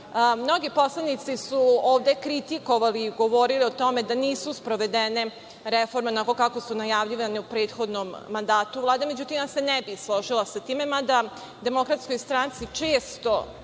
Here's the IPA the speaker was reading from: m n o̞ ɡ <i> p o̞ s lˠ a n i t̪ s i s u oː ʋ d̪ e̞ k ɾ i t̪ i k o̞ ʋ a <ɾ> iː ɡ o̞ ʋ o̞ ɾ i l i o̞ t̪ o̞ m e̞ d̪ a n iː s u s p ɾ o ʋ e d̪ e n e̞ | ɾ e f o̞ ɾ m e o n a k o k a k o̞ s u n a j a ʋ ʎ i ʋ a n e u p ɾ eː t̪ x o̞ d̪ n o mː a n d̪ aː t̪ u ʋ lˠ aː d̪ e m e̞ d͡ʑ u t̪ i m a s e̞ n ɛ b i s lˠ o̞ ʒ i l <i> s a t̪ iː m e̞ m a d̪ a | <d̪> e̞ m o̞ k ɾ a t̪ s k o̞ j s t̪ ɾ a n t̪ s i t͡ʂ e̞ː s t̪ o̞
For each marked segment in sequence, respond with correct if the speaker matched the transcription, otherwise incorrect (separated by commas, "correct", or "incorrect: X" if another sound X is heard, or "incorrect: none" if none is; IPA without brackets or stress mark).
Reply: correct, incorrect: l, incorrect: a, correct